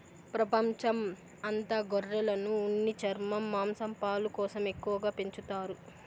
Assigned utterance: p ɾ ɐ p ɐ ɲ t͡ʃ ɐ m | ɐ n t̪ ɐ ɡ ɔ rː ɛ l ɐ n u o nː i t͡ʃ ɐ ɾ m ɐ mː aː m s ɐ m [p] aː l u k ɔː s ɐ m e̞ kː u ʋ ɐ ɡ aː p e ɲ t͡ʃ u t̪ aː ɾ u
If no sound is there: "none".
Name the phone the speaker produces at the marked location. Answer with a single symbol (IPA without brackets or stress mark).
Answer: p